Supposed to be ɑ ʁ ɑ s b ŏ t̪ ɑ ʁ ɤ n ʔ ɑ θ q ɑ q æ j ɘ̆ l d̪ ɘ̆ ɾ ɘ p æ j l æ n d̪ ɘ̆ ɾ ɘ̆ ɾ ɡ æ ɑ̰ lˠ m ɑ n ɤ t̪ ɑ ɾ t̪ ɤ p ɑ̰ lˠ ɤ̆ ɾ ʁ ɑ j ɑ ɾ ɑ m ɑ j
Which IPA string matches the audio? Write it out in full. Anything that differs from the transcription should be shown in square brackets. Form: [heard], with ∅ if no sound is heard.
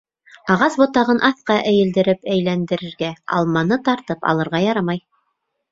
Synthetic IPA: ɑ ʁ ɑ s b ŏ t̪ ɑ ʁ ɤ n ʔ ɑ θ q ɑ [ʔ] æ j ɘ̆ l d̪ ɘ̆ ɾ ɘ p æ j l æ n d̪ ɘ̆ ɾ ɘ̆ ɾ ɡ æ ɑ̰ lˠ m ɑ n ɤ t̪ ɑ ɾ t̪ ɤ p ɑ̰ lˠ ɤ̆ ɾ ʁ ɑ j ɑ ɾ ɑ m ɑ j